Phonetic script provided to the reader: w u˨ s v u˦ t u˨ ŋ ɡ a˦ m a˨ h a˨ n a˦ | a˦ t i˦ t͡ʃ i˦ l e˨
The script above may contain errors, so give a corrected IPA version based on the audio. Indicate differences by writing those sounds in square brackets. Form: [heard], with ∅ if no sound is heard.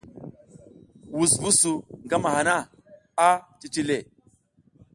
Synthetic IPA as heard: w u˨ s v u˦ [s] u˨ ŋ ɡ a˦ m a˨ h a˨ n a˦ | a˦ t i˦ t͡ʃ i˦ l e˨

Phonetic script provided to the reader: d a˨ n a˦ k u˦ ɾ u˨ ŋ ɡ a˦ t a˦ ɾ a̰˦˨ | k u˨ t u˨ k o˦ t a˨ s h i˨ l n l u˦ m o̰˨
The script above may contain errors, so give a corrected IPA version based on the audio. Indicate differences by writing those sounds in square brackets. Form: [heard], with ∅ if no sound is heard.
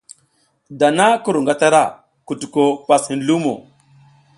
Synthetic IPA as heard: d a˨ n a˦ k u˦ ɾ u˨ ŋ ɡ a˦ t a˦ ɾ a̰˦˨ | k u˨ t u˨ k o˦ [p] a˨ s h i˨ [∅] n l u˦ m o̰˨

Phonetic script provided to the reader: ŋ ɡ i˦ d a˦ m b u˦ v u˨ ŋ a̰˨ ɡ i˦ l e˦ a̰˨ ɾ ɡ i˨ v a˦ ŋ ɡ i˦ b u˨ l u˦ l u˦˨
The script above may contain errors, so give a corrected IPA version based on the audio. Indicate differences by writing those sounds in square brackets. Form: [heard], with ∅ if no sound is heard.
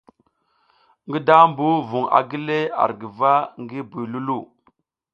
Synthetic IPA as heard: ŋ ɡ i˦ d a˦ m b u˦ v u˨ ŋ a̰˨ ɡ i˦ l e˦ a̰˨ ɾ ɡ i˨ v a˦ ŋ ɡ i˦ b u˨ l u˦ l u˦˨

